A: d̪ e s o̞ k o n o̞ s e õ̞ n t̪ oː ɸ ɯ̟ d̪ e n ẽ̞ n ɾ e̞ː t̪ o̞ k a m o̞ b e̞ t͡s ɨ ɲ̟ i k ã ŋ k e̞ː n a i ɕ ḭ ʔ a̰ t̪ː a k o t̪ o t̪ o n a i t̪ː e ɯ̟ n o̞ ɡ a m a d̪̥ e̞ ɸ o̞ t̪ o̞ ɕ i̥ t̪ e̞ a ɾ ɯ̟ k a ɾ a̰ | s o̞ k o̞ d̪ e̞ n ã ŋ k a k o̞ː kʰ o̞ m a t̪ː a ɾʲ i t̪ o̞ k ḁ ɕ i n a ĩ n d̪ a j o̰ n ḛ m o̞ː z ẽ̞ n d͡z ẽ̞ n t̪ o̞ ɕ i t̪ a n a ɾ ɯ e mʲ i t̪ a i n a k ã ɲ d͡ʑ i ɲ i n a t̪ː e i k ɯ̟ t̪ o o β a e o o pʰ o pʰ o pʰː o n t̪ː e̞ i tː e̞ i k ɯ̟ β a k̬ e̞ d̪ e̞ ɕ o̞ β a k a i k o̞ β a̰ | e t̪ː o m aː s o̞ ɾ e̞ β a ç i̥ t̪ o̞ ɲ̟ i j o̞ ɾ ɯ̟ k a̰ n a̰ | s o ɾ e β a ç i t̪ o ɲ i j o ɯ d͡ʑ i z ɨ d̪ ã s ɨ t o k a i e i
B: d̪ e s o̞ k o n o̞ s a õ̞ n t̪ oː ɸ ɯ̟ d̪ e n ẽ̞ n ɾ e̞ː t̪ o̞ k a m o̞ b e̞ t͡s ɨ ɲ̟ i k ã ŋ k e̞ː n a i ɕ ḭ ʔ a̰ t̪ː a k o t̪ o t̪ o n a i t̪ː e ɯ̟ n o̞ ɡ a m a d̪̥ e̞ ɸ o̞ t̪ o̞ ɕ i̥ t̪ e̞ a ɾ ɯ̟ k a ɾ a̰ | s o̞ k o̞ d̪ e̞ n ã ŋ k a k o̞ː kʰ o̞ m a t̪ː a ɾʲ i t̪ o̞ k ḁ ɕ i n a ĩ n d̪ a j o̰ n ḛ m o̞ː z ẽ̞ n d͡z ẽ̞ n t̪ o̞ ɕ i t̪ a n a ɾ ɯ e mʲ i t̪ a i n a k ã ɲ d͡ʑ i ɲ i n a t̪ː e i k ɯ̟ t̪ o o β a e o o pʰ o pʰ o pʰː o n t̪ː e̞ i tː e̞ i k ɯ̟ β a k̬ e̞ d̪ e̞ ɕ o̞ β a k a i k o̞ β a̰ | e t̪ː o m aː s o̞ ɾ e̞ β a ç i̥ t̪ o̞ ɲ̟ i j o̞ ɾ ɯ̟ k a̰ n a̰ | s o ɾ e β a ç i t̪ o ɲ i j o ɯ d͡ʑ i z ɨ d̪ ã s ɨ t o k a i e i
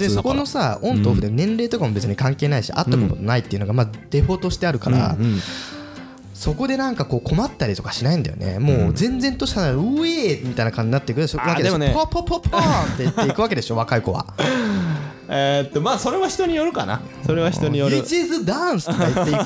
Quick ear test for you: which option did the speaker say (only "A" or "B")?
B